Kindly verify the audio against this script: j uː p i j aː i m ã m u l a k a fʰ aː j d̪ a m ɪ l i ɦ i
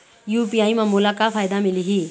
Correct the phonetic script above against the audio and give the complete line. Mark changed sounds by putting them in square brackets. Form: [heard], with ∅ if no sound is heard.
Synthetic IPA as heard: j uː p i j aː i m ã m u l a k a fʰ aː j d̪ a m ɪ l i ɦ i